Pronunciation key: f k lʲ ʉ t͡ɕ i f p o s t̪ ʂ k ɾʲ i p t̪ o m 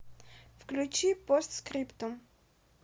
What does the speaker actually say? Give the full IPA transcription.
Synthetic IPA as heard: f k lʲ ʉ t͡ɕ i p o s t̪ s k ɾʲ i p t̪ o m